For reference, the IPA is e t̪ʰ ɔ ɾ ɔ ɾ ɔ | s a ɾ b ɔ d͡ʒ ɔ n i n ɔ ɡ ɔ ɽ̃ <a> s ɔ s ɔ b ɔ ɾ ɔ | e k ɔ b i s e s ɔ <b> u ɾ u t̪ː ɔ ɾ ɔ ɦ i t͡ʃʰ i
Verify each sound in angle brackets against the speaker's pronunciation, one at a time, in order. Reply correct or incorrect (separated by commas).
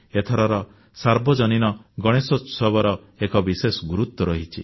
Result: incorrect, incorrect